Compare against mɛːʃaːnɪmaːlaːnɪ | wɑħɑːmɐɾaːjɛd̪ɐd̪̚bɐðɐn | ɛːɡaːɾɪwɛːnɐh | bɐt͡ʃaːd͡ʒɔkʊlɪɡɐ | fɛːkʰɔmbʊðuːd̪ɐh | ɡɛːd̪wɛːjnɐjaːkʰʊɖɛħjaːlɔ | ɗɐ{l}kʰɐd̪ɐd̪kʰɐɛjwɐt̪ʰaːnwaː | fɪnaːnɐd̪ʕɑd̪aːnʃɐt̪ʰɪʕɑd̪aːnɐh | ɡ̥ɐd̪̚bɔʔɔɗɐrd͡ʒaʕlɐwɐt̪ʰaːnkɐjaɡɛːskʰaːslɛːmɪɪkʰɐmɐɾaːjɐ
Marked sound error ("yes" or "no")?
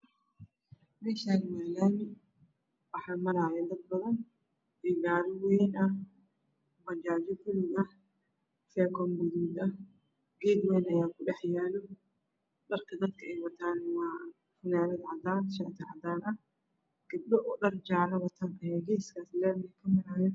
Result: yes